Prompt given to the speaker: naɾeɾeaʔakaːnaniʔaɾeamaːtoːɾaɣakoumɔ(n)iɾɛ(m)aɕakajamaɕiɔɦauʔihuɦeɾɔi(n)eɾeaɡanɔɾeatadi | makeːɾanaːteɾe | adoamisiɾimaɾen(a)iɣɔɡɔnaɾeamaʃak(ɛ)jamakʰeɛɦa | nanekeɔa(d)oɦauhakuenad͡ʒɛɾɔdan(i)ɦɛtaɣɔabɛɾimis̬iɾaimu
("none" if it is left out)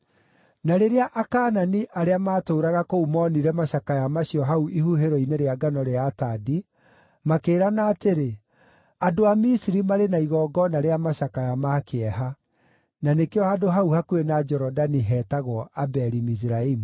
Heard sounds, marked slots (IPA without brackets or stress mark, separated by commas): n, m, n, a, a, d, i